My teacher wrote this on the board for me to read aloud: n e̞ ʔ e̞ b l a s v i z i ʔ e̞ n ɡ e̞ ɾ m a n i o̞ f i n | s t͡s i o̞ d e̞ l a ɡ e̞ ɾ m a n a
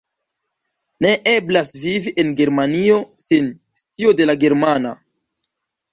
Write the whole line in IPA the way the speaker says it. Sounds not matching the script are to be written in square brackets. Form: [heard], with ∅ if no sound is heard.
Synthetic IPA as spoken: n e̞ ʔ e̞ b l a s v i [v] i ʔ e̞ n ɡ e̞ ɾ m a n i o̞ [s] i n | s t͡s i o̞ d e̞ l a ɡ e̞ ɾ m a n a